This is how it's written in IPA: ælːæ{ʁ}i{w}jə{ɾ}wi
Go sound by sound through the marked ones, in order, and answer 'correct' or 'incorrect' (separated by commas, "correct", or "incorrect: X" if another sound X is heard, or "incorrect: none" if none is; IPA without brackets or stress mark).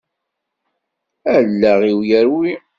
correct, correct, correct